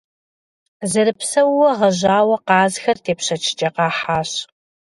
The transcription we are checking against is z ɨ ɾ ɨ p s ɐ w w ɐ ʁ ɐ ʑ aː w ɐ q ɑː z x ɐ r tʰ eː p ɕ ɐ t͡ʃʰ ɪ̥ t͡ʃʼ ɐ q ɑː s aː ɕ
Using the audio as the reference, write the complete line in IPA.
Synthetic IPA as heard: z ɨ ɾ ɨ p s ɐ w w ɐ ʁ ɐ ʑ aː w ɐ q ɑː z x ɐ r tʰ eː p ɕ ɐ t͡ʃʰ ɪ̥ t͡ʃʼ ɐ q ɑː ħ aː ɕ